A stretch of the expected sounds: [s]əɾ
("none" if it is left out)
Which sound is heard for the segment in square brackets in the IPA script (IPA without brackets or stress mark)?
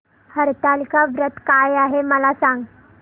h